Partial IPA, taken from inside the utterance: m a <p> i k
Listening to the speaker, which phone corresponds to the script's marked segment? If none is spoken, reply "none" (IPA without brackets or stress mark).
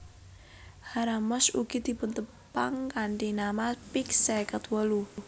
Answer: p